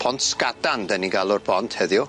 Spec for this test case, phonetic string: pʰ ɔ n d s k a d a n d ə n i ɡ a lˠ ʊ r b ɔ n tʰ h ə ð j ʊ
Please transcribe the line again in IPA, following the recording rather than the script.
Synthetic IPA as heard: pʰ ɔ n t s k a d a n d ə n i ɡ a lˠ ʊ r b ɔ n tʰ h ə ð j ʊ